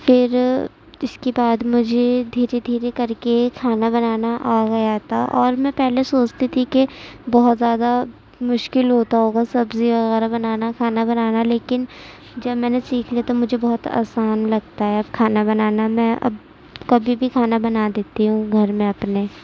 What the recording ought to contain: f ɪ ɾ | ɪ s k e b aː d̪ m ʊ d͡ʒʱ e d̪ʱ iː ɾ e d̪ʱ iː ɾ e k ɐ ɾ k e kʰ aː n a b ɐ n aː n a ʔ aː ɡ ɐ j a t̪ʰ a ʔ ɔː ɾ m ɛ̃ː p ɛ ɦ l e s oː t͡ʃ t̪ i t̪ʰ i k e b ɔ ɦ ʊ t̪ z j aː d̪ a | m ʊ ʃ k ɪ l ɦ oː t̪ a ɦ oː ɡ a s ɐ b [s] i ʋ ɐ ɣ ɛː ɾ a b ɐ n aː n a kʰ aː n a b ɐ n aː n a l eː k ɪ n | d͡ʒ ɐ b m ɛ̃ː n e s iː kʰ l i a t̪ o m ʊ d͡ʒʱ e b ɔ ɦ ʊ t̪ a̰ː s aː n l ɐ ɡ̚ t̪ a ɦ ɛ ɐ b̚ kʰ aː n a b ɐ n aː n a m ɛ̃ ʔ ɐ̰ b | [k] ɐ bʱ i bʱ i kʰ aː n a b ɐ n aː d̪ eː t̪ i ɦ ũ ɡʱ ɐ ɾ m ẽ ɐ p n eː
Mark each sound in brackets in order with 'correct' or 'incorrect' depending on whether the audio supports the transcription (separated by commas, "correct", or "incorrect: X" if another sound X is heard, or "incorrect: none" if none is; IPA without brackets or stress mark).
incorrect: z, correct